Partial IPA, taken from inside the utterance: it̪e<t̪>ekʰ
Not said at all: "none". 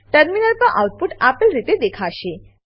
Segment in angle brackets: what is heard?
d̪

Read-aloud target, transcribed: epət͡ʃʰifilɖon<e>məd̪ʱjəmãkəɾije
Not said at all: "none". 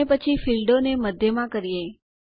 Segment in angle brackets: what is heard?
e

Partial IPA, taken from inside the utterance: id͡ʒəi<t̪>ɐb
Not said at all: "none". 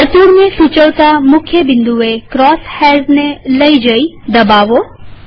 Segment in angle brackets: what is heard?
d̪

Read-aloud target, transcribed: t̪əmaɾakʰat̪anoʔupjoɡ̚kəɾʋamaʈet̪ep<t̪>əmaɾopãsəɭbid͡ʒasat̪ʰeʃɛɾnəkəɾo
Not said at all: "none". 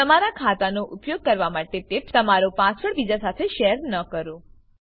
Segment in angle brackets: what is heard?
t̪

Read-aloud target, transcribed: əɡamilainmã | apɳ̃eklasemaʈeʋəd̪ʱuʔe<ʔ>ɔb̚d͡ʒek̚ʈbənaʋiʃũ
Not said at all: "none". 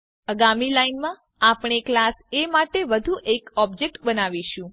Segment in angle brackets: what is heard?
k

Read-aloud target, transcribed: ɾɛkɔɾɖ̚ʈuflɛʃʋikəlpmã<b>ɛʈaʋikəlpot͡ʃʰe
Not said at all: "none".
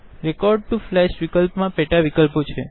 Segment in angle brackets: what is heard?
p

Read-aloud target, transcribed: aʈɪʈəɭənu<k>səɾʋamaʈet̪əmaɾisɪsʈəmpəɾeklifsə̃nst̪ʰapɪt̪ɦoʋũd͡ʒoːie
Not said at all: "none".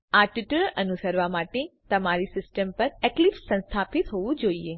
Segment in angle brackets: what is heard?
none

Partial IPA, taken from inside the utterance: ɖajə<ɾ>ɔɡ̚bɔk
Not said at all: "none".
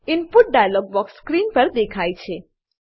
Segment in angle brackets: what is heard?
l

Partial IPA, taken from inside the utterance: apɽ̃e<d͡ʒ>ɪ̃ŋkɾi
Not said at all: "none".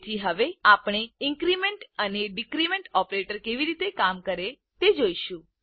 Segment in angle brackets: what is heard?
none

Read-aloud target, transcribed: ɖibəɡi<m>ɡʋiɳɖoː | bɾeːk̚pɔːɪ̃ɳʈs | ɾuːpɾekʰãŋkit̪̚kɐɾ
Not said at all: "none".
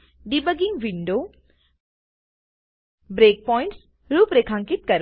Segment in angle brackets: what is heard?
ŋ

